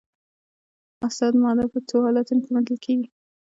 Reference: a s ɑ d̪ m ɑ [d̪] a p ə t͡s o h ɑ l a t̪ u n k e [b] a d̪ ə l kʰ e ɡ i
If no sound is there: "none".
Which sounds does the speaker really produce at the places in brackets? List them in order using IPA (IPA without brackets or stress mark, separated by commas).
d̪, m